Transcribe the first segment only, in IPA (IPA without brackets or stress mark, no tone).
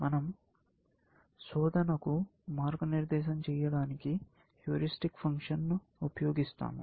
m